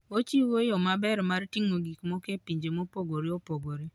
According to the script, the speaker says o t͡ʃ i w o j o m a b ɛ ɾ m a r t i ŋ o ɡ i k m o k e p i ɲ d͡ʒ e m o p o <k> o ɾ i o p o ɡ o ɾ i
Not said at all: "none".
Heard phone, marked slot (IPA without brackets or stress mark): ɡ